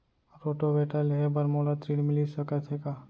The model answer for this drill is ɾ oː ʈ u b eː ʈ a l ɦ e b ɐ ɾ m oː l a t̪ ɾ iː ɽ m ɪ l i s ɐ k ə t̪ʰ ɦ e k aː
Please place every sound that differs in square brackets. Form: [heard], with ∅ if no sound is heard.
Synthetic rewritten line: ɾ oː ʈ [o] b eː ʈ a l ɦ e b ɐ ɾ m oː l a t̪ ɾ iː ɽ m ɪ l i s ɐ k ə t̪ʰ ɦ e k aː